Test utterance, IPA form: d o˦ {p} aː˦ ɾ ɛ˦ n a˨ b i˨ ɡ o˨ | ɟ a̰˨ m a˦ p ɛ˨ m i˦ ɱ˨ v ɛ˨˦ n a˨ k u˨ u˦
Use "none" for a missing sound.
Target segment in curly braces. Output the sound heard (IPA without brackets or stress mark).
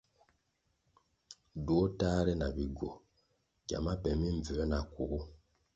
t